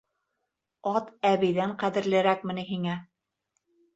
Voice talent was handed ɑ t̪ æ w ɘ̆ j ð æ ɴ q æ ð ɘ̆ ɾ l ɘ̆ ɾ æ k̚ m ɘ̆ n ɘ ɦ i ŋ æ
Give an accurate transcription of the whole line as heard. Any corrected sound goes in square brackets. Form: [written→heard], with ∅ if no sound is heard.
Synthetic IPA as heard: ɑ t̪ æ [w→β] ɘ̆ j ð æ ɴ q æ ð ɘ̆ ɾ l ɘ̆ ɾ æ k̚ m ɘ̆ n ɘ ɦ i ŋ æ